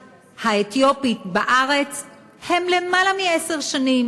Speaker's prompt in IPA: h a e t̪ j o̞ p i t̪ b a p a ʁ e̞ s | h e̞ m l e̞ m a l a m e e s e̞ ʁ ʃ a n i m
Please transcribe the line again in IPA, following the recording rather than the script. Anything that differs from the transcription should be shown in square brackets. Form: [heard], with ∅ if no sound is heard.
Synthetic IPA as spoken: h a e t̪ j o̞ p i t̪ b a [ʔ] a ʁ e̞ [t͡s] | h e̞ m l e̞ m a l a m [i] e s e̞ ʁ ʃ a n i m